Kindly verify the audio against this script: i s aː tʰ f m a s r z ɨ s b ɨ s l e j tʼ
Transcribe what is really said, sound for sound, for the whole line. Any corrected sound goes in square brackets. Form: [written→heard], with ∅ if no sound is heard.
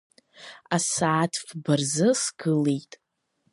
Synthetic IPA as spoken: [i→a] s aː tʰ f [m→b] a [s→∅] r z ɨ s [b→ɡ] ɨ [s→∅] l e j tʼ